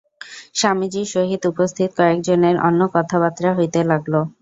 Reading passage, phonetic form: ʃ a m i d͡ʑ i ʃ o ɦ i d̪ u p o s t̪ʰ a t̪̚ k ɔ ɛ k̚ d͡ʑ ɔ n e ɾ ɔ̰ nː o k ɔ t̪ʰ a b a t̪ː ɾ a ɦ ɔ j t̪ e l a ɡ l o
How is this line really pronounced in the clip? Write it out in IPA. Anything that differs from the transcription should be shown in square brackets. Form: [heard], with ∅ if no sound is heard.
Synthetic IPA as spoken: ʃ a m i d͡ʑ i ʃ o ɦ i d̪ u p o s t̪ʰ [i] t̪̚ k ɔ [e] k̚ d͡ʑ [o] n e ɾ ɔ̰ nː o k ɔ t̪ʰ a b a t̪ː ɾ a ɦ [o] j t̪ e l a ɡ l o